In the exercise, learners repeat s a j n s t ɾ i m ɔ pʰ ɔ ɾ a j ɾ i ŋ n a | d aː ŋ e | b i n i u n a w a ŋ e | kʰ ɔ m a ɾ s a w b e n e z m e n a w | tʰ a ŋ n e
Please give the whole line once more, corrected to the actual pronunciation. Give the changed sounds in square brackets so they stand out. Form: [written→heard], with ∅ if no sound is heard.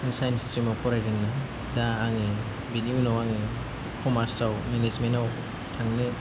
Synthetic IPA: s a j n s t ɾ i m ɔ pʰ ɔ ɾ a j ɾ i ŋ n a | d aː ŋ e | b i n i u n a w a ŋ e | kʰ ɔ m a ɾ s a w [b→m] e n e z m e n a w | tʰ a ŋ n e

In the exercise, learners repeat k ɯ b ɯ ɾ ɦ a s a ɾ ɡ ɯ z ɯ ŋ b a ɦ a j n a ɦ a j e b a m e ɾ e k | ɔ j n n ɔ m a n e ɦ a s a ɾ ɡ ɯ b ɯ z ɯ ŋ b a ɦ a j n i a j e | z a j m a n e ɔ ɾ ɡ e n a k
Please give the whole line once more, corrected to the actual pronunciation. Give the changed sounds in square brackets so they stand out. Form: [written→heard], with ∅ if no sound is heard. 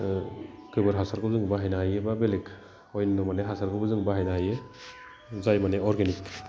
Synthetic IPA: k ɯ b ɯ ɾ ɦ a s a ɾ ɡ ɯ z ɯ ŋ b a ɦ a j n a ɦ a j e b a [m→b] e [ɾ→l] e k | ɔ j n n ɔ m a n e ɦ a s a ɾ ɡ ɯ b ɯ z ɯ ŋ b a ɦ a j n [i→a] a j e | z a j m a n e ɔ ɾ ɡ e n [a→i] k

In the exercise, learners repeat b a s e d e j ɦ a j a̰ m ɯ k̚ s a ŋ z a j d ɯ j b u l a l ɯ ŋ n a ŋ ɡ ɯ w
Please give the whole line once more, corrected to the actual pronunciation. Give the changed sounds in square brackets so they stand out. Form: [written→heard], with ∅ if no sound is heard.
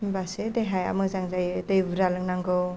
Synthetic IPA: b a s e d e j ɦ a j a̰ m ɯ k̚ [s→z] a ŋ z a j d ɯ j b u [l→ɾ] a l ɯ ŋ n a ŋ ɡ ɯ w

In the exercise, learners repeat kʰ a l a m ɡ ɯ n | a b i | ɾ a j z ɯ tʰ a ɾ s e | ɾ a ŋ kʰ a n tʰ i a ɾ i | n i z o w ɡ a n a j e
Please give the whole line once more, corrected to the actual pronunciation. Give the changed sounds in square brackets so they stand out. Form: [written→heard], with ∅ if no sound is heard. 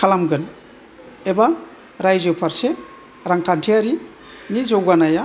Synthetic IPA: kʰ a l a m ɡ ɯ n | [a→e] b [i→a] | ɾ a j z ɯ [tʰ→pʰ] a ɾ s e | ɾ a ŋ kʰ a n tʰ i a ɾ i | n i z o w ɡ a n a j [e→a]

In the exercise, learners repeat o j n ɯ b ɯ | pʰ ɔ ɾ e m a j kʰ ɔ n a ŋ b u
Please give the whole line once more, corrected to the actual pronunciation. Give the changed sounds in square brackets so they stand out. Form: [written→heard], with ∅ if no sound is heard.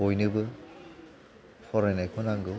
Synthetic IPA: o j n ɯ b ɯ | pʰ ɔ ɾ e [m→n] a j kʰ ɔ n a ŋ [b→ɡ] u

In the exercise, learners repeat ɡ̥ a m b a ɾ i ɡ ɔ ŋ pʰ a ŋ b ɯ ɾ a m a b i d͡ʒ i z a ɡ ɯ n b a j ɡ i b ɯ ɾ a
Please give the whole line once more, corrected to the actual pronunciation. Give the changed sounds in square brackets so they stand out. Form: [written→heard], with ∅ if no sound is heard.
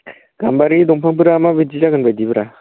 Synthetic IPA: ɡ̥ a m b a ɾ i [ɡ→d] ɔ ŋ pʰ a ŋ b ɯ ɾ a m a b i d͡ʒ i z a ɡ ɯ n b a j [ɡ→d] i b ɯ ɾ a

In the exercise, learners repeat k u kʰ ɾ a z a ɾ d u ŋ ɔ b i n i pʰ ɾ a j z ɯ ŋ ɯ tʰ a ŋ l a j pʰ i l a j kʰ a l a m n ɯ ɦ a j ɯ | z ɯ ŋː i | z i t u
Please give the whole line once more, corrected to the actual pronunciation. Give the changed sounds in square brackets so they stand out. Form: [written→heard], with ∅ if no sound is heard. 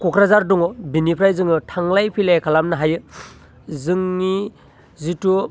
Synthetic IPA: k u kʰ ɾ a z a ɾ d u ŋ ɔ b i n i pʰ ɾ a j z ɯ ŋ ɯ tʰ a ŋ l a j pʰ i l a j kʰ a l a m n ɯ ɦ a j ɯ | z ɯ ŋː i | z i t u

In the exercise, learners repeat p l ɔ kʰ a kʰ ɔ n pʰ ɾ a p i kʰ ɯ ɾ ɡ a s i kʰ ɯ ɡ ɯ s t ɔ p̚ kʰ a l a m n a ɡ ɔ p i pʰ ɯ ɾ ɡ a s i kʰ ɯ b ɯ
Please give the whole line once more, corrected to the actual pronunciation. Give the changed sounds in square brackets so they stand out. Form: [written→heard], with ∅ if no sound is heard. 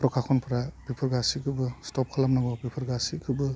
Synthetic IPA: p [l→ɾ] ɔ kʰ a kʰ ɔ n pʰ ɾ a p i [kʰ→pʰ] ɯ ɾ ɡ a s i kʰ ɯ [ɡ→b] ɯ s t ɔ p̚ kʰ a l a m n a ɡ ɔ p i pʰ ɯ ɾ ɡ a s i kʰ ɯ b ɯ

